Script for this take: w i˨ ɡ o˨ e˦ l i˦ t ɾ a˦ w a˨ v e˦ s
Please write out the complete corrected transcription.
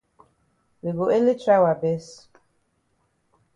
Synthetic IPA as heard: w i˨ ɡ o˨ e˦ l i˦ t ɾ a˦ w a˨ b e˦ s